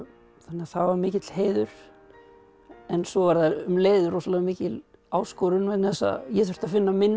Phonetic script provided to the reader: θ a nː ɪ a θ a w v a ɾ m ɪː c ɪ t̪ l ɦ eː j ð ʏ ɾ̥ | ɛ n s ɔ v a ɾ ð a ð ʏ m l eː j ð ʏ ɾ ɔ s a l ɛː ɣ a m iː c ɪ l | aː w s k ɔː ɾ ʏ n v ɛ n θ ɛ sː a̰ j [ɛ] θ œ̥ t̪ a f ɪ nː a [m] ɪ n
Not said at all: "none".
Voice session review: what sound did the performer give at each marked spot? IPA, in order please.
ɛ, m

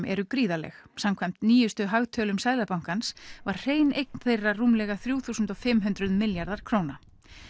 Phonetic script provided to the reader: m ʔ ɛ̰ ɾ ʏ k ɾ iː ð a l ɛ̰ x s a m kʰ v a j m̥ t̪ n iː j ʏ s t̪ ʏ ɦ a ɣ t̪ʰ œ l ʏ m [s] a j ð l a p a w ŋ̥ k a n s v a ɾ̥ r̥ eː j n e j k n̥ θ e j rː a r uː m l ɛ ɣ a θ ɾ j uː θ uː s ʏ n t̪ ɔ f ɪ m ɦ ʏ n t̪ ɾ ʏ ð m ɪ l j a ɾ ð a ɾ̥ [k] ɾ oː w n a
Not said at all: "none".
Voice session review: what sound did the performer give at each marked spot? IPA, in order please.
s, kʰ

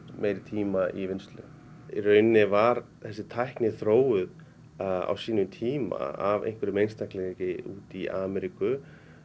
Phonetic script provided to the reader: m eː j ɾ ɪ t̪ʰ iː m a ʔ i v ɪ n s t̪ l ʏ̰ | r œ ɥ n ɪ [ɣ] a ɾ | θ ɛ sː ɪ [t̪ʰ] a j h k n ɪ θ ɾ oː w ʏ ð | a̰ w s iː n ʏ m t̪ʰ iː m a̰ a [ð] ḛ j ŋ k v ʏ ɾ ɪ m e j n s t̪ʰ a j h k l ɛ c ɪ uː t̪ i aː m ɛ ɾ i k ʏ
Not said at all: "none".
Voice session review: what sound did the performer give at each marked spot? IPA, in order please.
v, t̪ʰ, v

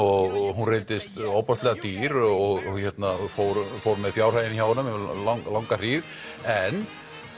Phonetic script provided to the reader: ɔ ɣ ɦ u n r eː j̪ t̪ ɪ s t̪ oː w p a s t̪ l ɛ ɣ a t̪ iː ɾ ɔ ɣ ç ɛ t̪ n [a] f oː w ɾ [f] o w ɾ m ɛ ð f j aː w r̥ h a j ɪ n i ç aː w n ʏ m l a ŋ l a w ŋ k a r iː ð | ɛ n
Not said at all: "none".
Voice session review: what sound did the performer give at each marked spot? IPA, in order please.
a, f

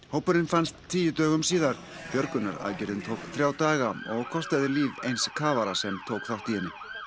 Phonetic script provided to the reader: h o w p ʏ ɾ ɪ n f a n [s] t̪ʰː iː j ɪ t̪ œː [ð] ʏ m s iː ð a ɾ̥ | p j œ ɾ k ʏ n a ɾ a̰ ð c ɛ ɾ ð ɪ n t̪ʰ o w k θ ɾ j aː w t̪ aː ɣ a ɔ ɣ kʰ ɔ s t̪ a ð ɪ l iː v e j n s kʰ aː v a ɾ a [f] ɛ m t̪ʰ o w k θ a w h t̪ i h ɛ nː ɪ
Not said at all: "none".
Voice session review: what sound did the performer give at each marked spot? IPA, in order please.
s, ɣ, s

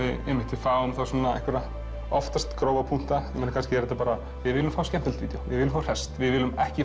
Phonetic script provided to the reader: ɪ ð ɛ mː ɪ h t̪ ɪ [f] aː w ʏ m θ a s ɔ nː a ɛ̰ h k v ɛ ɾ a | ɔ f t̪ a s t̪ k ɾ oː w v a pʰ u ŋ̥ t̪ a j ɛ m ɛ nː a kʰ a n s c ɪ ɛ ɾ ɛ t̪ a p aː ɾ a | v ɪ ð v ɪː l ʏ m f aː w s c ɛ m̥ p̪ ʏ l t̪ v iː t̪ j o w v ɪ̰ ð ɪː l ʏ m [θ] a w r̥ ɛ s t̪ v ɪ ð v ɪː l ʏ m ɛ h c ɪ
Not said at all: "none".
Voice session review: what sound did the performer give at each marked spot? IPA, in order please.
f, f

